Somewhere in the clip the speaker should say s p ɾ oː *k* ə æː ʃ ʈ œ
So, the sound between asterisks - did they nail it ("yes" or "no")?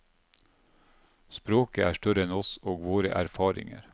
yes